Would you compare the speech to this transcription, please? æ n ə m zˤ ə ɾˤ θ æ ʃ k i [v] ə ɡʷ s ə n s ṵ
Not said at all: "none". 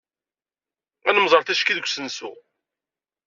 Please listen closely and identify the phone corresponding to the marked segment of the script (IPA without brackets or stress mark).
ð